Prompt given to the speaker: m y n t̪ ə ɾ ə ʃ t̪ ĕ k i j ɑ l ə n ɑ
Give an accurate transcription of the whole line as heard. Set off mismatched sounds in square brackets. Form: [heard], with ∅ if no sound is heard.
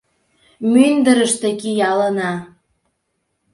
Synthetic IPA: m y n [d̪] ə ɾ ə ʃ t̪ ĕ k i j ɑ l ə n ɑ